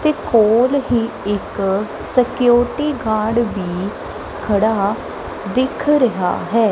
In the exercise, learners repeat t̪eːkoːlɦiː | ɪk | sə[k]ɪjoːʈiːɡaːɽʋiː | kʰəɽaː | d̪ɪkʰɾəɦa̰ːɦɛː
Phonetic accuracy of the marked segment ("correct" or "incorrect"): correct